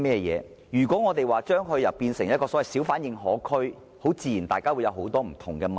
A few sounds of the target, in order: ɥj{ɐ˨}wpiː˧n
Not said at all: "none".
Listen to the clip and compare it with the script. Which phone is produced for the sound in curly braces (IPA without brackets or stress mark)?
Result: ɐ˨